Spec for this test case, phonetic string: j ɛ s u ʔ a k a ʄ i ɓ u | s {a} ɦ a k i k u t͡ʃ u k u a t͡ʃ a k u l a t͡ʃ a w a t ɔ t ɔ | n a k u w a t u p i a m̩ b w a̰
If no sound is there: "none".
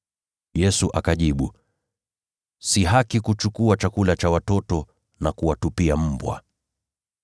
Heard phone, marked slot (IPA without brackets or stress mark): i